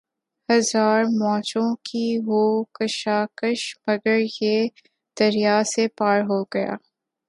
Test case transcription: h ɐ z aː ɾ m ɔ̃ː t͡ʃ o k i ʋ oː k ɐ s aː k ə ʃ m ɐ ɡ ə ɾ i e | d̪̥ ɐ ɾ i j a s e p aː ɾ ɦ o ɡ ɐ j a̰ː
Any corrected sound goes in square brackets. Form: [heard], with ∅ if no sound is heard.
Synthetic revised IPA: h ɐ z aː ɾ m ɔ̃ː t͡ʃ [õ] k i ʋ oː k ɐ [ʃ] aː k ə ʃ m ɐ ɡ ə ɾ [j] e | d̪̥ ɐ ɾ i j a s e p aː ɾ ɦ o ɡ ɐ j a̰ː